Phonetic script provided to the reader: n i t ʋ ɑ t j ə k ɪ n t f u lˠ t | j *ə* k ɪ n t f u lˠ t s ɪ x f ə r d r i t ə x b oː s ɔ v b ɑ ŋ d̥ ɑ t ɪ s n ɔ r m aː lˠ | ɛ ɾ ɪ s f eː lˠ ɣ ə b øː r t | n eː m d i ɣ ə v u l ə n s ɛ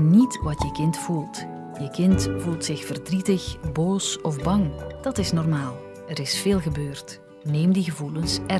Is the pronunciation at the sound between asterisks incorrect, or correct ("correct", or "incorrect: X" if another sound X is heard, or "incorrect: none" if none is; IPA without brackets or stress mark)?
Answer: correct